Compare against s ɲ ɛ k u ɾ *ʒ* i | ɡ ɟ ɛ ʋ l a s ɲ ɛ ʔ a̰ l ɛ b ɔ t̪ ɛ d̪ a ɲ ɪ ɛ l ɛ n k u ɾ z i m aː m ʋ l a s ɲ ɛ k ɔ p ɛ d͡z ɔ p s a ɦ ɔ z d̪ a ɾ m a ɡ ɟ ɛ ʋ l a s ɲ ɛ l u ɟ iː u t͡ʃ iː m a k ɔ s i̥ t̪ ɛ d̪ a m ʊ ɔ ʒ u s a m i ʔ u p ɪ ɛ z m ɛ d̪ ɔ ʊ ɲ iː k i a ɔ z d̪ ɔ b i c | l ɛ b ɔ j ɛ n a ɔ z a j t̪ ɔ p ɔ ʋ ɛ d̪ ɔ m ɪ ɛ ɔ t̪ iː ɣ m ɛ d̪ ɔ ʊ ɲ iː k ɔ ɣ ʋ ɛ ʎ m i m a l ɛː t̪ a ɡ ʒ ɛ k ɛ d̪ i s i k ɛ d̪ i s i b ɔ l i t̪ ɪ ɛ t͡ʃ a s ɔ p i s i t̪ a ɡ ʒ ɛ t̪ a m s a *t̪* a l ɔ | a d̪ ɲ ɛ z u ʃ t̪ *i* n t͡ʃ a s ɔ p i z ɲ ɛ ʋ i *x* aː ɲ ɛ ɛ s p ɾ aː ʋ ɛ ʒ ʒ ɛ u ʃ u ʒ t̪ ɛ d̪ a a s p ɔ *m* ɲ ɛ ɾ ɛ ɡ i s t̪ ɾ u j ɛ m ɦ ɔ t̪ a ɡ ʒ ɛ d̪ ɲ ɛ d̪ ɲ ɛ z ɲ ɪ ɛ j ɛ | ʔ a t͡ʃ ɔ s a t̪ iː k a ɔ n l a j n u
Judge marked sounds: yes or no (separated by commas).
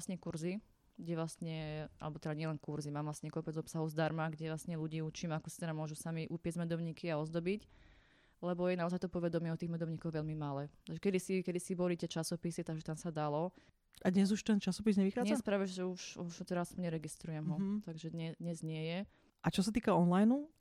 no, no, no, yes, no